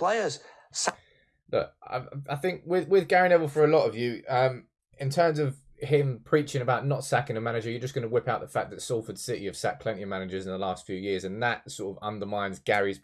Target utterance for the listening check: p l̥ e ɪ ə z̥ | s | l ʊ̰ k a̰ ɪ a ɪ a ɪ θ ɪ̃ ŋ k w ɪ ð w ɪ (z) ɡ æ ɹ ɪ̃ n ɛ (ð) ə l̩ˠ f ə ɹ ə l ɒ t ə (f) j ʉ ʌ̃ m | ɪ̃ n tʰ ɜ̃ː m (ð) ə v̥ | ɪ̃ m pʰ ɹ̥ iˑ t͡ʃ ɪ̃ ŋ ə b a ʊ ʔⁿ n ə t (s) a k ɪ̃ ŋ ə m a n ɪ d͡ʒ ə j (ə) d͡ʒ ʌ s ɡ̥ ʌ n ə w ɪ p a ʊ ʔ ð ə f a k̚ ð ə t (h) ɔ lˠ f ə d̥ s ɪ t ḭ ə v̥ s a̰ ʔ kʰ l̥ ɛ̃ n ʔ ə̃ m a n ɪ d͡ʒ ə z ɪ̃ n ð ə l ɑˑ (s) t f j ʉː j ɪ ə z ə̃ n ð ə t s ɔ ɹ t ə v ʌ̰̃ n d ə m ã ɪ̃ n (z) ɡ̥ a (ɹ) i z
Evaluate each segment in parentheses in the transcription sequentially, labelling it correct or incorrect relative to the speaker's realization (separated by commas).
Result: incorrect, incorrect, incorrect, incorrect, correct, correct, incorrect, correct, correct, correct